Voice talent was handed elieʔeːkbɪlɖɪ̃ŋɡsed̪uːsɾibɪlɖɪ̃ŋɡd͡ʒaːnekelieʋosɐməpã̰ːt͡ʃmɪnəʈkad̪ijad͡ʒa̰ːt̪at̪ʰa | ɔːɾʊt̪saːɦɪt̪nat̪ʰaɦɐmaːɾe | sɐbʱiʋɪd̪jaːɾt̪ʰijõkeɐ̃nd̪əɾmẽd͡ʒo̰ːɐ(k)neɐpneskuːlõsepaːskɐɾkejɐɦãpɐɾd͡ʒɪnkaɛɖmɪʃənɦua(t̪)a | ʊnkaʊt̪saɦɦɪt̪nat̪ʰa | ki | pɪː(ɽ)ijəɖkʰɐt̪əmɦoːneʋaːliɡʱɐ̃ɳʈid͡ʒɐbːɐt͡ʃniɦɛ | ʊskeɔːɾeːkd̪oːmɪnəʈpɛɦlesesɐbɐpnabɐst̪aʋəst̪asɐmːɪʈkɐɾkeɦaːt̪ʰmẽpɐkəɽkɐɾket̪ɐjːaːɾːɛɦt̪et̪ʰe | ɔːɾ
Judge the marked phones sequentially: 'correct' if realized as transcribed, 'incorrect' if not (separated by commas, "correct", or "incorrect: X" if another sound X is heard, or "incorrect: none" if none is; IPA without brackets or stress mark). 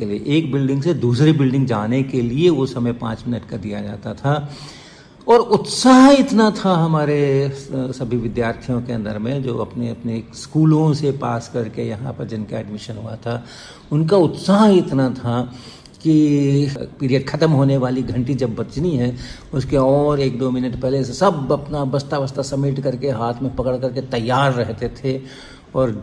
incorrect: p, incorrect: t̪ʰ, incorrect: ɾ